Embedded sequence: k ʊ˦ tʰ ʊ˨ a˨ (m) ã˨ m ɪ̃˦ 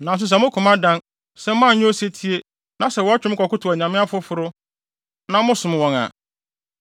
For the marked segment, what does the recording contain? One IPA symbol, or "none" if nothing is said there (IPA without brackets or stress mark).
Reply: ɲ